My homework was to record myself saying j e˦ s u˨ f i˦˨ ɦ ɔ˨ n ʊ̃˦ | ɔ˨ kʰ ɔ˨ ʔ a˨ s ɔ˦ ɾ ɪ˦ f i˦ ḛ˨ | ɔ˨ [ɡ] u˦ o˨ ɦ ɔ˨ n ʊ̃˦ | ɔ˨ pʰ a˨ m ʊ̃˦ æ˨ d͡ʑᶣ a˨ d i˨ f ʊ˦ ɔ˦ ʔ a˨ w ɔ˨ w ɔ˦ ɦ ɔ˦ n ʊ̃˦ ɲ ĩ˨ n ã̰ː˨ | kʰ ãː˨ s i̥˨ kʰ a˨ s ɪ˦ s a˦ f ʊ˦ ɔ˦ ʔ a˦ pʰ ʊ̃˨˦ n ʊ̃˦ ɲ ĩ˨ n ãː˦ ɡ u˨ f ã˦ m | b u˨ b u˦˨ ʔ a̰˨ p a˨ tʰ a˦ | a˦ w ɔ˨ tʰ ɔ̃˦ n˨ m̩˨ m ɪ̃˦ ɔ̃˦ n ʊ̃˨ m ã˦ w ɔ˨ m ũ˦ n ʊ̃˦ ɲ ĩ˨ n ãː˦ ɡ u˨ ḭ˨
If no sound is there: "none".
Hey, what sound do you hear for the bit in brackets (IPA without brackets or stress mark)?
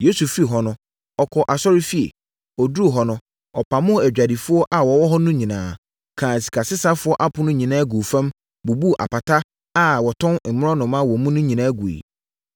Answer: d